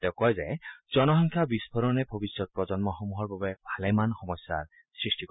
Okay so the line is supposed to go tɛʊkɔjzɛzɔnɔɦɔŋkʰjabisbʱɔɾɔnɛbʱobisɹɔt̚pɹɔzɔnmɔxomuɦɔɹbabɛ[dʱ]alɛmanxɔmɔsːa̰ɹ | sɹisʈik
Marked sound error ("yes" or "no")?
yes